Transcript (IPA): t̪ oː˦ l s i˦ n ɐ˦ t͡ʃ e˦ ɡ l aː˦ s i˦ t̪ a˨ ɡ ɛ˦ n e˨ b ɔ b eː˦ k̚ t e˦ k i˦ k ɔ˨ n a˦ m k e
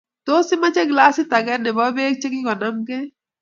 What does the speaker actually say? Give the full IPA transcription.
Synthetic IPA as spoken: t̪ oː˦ s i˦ m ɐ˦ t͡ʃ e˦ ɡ l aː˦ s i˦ t̪ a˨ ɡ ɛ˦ n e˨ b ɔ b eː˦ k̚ t͡ʃ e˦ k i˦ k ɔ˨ n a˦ m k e